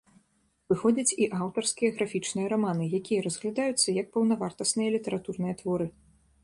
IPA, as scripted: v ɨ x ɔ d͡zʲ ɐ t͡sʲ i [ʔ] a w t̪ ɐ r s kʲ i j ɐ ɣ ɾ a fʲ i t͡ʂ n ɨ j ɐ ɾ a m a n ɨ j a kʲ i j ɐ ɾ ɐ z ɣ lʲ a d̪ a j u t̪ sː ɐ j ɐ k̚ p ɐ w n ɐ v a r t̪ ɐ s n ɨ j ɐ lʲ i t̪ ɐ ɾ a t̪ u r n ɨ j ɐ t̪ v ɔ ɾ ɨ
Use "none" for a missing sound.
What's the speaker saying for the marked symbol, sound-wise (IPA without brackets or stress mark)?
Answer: ʔ